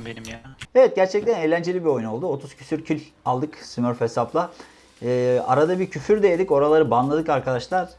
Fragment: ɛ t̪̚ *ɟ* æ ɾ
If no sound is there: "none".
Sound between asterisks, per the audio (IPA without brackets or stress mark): ɟ